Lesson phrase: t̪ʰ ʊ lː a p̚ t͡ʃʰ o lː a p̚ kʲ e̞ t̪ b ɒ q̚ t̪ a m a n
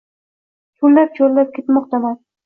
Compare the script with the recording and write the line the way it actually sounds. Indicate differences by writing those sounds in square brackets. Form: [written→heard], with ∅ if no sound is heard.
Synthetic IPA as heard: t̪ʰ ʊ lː a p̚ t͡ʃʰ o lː a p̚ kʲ e̞ t̪ [b→m] ɒ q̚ t̪ a m a n